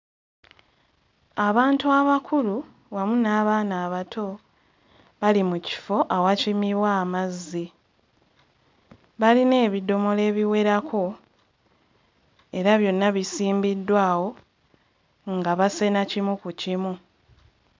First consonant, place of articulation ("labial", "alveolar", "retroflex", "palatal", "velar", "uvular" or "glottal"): labial